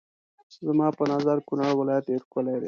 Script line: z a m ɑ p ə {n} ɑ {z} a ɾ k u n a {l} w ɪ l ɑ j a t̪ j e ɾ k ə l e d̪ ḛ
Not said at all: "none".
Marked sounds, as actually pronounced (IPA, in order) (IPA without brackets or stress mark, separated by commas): n, z, ɽ